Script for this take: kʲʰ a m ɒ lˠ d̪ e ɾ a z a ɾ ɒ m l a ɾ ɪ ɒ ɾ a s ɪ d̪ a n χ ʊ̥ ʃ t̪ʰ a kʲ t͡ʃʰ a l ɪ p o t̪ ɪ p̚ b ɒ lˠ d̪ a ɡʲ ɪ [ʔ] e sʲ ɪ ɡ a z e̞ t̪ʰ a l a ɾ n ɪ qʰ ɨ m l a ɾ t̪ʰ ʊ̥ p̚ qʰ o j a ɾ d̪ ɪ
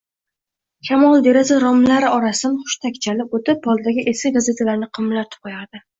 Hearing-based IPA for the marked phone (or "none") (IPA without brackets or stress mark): ʔ